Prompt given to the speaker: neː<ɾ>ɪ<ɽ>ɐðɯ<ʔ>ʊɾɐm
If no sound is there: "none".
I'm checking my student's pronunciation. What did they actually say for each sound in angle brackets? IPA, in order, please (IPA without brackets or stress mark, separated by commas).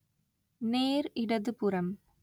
ɾ, ɽ, p